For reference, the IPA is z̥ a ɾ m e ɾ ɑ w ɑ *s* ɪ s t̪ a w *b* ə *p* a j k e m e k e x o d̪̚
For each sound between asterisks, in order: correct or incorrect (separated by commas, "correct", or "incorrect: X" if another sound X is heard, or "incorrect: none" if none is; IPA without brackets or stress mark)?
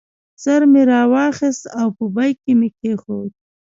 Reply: incorrect: x, incorrect: p, incorrect: b